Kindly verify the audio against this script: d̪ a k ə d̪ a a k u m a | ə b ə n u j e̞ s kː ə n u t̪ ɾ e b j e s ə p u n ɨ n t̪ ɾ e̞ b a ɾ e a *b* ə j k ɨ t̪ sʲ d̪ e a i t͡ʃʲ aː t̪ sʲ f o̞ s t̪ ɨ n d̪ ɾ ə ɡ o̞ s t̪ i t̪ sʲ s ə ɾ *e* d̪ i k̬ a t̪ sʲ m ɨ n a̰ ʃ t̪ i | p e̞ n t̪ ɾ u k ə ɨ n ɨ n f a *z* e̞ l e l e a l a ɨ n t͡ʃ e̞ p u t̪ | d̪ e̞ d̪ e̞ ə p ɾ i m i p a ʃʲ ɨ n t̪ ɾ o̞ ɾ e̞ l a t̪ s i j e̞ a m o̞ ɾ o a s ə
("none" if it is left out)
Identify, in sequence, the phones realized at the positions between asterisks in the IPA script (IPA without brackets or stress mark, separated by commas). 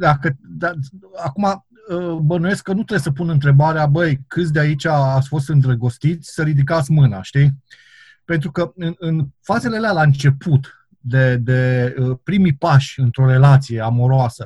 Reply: b, i, z